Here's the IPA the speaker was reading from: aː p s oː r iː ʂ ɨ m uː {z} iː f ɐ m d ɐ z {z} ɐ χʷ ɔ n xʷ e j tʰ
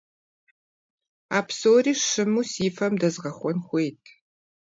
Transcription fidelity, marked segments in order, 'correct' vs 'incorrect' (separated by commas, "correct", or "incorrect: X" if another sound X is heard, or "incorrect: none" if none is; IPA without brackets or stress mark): incorrect: s, incorrect: ʁ